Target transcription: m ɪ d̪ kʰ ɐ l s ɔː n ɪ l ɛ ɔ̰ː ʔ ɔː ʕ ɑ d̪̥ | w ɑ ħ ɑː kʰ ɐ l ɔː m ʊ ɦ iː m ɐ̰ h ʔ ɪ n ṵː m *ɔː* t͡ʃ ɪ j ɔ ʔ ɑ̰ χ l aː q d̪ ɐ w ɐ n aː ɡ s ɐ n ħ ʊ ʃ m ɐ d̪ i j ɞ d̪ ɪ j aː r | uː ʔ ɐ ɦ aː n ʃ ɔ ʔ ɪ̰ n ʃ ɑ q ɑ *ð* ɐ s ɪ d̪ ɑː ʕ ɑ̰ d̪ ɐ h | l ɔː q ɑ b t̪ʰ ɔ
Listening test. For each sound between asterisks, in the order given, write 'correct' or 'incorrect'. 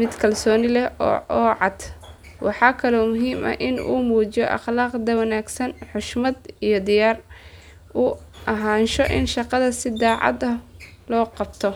incorrect: uː, correct

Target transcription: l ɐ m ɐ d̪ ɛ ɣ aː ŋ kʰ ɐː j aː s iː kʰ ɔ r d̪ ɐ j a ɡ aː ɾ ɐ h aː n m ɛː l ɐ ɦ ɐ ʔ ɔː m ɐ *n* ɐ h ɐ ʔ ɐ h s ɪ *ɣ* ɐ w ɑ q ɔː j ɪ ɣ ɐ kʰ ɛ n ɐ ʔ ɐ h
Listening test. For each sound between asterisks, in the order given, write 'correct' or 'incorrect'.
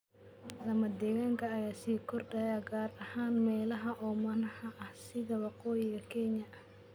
correct, incorrect: ð

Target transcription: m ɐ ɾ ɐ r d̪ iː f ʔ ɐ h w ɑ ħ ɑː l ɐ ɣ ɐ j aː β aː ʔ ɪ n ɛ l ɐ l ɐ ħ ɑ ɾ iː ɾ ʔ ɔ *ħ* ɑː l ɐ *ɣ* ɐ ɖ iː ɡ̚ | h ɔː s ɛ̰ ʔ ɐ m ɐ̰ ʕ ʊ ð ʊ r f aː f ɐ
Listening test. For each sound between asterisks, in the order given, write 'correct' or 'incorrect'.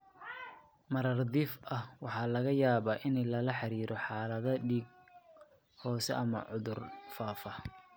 correct, incorrect: ð

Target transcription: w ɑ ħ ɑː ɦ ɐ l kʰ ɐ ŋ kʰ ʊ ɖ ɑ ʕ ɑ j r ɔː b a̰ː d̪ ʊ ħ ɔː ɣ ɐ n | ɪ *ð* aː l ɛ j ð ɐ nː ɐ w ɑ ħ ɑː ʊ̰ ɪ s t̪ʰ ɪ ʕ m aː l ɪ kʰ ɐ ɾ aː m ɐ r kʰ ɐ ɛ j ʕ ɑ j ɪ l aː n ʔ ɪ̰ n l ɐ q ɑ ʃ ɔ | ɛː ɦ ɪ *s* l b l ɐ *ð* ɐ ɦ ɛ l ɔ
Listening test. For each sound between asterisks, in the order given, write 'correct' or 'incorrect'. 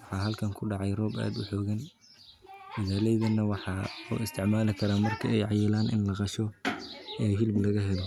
correct, incorrect: none, incorrect: ɣ

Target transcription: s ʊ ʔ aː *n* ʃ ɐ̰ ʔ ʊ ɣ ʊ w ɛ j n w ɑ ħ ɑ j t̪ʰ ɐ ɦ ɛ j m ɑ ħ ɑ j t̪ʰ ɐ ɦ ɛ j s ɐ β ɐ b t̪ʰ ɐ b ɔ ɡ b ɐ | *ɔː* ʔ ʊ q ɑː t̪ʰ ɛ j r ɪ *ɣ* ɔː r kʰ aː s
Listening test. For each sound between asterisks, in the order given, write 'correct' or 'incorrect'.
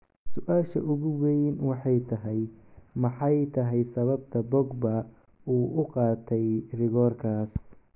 incorrect: none, incorrect: uː, correct

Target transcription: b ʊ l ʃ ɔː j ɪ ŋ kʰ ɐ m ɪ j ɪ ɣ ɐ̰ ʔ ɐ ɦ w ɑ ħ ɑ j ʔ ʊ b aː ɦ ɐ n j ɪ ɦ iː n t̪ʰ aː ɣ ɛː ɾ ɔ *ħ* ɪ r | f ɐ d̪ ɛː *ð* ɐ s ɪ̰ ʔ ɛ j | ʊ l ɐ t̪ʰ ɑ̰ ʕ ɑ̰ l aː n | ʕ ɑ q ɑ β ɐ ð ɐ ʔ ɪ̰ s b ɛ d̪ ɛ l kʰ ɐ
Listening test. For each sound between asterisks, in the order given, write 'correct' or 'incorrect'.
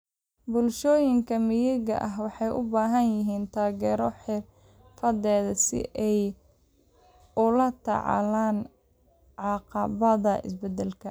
correct, correct

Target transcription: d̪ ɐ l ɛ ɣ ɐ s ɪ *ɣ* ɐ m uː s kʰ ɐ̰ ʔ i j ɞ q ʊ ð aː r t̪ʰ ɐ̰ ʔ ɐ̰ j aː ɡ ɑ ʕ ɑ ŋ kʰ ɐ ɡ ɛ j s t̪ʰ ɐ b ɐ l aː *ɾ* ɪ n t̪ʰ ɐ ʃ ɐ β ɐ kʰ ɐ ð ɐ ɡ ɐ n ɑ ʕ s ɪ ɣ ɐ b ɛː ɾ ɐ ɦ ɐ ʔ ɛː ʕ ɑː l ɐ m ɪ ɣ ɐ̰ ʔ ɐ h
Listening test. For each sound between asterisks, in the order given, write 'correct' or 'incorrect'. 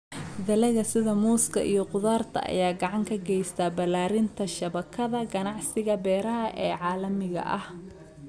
incorrect: ð, correct

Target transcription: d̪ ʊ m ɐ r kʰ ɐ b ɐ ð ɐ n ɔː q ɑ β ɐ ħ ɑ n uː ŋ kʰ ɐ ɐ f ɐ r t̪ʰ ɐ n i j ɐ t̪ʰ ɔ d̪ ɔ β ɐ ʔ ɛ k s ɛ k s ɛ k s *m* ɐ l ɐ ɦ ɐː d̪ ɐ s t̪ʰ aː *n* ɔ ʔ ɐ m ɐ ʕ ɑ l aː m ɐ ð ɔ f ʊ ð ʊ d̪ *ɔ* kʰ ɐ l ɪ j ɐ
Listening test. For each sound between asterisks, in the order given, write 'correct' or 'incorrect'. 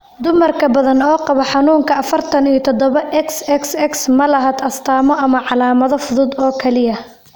correct, incorrect: m, incorrect: ɔː

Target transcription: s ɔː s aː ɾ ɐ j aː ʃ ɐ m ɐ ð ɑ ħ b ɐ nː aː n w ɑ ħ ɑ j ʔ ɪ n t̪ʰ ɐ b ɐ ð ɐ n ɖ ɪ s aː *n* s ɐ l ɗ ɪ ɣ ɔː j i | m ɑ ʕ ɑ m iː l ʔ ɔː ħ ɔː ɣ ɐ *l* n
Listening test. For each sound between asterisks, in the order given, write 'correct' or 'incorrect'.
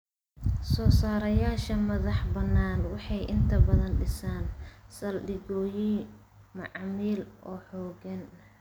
correct, incorrect: none

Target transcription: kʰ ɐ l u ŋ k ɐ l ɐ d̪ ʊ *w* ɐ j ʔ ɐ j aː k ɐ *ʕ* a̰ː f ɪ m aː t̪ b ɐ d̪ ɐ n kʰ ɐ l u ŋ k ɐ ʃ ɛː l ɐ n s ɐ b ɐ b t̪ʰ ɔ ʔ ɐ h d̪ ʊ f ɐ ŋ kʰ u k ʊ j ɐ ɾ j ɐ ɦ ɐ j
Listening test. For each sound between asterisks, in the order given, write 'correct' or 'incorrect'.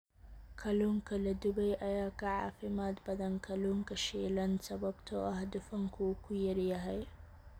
incorrect: b, correct

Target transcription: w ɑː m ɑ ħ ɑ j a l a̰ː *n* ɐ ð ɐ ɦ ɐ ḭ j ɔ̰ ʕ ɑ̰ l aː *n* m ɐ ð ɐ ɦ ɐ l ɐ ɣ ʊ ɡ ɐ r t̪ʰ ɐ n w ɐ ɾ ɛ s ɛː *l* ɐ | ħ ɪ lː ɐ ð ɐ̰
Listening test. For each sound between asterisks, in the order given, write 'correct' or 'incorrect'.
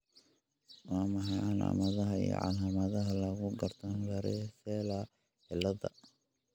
incorrect: m, incorrect: none, correct

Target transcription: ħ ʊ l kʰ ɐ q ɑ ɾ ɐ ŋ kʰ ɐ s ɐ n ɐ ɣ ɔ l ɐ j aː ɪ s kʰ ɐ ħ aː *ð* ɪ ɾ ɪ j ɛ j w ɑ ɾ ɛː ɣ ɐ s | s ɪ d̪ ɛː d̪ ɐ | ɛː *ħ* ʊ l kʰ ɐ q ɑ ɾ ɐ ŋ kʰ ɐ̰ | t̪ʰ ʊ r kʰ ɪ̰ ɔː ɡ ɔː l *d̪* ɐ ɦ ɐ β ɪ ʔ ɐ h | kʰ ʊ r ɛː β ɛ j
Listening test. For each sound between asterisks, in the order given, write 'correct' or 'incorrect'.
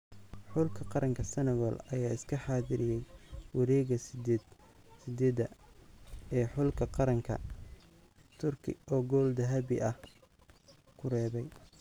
correct, correct, correct

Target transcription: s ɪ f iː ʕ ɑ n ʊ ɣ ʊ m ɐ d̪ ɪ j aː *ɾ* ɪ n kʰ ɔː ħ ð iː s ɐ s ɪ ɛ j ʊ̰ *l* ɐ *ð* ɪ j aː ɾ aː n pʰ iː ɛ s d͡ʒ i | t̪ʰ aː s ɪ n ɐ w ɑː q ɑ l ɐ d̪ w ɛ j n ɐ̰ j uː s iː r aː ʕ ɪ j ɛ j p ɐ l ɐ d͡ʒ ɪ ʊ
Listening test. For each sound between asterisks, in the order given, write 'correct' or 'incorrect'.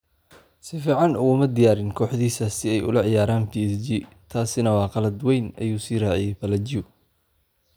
correct, correct, incorrect: ʕ

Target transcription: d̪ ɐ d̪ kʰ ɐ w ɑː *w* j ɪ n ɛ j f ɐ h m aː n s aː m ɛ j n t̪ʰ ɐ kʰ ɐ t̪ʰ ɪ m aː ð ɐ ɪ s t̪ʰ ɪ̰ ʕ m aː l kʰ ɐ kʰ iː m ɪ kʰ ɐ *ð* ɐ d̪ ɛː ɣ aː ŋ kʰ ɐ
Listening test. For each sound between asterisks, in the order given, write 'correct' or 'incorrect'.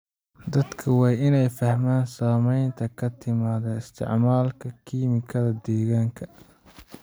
incorrect: none, correct

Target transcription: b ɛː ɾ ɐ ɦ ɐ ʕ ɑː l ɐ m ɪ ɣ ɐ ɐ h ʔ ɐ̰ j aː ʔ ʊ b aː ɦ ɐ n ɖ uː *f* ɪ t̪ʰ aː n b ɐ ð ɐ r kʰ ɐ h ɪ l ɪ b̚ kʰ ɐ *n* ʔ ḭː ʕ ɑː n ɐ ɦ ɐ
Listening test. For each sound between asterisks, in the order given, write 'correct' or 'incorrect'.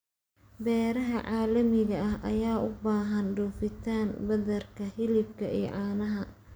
correct, incorrect: none

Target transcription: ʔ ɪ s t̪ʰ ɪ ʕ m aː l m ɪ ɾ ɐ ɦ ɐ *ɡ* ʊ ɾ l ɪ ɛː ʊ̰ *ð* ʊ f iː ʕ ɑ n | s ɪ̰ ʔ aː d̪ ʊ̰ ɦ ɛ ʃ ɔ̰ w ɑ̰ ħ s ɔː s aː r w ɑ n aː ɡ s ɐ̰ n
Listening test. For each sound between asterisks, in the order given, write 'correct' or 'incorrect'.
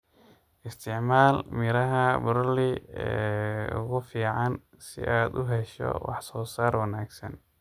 incorrect: b, incorrect: ɣ

